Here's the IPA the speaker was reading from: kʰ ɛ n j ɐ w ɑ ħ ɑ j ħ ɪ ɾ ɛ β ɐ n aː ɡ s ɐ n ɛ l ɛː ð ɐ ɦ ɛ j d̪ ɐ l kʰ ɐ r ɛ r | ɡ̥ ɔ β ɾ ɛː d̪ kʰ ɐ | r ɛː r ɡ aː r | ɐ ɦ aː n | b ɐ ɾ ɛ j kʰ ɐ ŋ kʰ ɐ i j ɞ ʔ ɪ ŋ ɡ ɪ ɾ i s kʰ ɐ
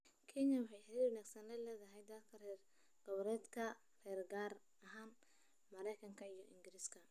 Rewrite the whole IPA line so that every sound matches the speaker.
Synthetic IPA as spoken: kʰ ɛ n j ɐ w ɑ ħ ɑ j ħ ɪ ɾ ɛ w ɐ n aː ɡ s ɐ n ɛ l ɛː ð ɐ ɦ ɛ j d̪ ɐ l kʰ ɐ r ɛ r | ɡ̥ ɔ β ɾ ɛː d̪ kʰ ɐ | r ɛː r ɡ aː r | ɐ ɦ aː n | m ɐ ɾ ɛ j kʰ ɐ ŋ kʰ ɐ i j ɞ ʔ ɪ ŋ ɡ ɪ ɾ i s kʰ ɐ

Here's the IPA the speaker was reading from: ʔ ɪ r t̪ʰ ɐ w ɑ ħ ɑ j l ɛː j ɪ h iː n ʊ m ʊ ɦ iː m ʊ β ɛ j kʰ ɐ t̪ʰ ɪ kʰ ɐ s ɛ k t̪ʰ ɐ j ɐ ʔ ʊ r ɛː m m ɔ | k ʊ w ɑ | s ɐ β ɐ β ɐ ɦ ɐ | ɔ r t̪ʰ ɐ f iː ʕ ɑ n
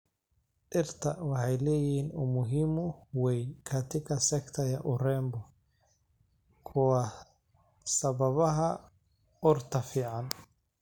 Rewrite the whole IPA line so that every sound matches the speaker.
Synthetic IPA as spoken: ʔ ɪ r t̪ʰ ɐ w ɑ ħ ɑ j l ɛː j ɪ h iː n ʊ m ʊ ɦ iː m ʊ w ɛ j kʰ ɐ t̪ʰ ɪ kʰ ɐ s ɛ k t̪ʰ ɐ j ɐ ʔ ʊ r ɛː m b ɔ | kʰ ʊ w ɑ | s ɐ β ɐ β ɐ ɦ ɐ | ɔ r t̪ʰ ɐ f iː ʕ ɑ n

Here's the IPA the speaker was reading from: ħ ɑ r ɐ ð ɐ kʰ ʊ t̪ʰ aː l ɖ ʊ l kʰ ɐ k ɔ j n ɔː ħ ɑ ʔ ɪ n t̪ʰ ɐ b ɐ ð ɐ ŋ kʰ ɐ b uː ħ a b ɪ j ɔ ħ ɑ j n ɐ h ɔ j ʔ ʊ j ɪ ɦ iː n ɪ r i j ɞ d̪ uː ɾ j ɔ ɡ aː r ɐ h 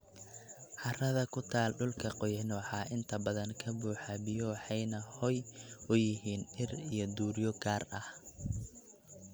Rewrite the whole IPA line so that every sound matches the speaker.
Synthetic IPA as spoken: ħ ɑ r ɐ ð ɐ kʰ ʊ t̪ʰ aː l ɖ ʊ l kʰ ɐ q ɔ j n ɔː ħ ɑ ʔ ɪ n t̪ʰ ɐ b ɐ ð ɐ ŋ kʰ ɐ b uː ħ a b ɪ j ɔ ħ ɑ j n ɐ h ɔ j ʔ ʊ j ɪ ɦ iː n ɪ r i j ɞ d̪ uː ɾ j ɔ ɡ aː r ɐ h

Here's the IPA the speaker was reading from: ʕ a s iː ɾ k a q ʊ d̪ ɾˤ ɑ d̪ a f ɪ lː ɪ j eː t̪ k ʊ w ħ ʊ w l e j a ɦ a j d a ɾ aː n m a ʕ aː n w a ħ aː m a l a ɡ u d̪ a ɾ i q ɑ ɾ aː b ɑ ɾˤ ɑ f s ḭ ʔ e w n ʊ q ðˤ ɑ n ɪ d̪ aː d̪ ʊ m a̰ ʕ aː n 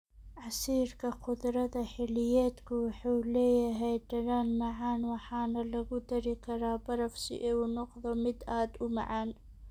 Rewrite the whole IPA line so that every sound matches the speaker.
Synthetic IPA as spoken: ʕ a s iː ɾ k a q ʊ d̪ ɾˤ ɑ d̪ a ħ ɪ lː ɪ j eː t̪ k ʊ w ħ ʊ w l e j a ɦ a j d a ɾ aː n m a ʕ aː n w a ħ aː n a l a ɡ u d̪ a ɾ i k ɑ ɾ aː b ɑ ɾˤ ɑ f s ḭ ʔ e w n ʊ q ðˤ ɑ m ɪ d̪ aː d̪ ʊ m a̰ ʕ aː n

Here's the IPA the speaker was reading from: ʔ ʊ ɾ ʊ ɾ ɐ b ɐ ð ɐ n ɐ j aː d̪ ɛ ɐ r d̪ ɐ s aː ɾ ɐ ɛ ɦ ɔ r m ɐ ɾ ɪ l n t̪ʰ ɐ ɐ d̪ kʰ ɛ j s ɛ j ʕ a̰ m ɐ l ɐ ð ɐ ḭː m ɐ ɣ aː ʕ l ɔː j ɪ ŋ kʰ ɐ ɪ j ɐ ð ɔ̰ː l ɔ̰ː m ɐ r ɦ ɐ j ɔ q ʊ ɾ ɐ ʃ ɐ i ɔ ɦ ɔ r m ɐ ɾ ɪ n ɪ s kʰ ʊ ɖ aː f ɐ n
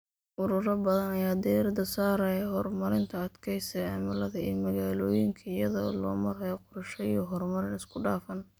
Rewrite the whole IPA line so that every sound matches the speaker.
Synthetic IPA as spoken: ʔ ʊ ɾ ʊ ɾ ɐ b ɐ ð ɐ n ɐ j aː d̪ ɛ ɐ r d̪ ɐ s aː ɾ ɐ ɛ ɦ ɔ r m ɐ ɾ ɪ n t̪ʰ ɐ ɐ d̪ kʰ ɛ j s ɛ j ʕ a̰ m ɐ l ɐ ð ɐ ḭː m ɐ ɣ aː l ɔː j ɪ ŋ kʰ ɐ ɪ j ɐ ð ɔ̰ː l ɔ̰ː m ɐ r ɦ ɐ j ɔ q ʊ ɾ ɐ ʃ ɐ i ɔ ɦ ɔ r m ɐ ɾ ɪ n ɪ s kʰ ʊ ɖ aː f ɐ n

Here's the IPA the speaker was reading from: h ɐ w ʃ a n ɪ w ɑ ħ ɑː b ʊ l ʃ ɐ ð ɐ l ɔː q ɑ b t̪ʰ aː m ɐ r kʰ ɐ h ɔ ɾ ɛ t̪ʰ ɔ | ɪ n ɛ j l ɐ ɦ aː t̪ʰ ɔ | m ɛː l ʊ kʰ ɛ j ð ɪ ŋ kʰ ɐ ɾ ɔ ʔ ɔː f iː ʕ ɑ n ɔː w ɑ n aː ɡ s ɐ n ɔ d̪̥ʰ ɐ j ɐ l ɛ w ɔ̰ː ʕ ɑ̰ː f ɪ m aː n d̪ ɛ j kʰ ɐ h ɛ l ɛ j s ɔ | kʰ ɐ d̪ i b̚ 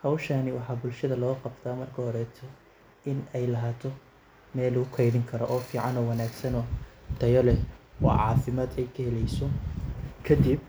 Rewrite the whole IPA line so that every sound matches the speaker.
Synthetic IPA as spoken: h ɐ w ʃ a n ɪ w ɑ ħ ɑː b ʊ l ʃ ɐ ð ɐ l ɔː q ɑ b t̪ʰ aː m ɐ r kʰ ɐ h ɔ ɾ ɛ t̪ʰ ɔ | ɪ n ɛ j l ɐ ɦ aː t̪ʰ ɔ | m ɛː l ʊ kʰ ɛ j ð ɪ ŋ kʰ ɐ ɾ ɔ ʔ ɔː f iː ʕ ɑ n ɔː w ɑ n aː ɡ s ɐ n ɔ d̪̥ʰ ɐ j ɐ l ɛ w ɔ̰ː ʕ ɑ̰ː f ɪ m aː d̪ ɛ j kʰ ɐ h ɛ l ɛ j s ɔ | kʰ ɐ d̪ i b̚

